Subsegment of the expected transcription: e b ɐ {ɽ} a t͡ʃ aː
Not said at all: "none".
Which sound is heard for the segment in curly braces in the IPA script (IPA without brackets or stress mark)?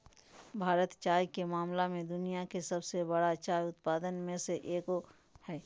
ɽ